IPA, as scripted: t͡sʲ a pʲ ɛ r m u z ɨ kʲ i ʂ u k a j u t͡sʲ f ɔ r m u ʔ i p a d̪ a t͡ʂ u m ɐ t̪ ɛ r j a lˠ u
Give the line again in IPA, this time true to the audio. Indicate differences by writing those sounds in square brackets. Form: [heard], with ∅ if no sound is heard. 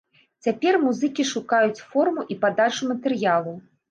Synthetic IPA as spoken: t͡sʲ a pʲ ɛ r m u z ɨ kʲ i ʂ u k a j u t͡sʲ f ɔ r m u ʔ i p a d̪ a t͡ʂ u m ɐ t̪ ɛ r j a lˠ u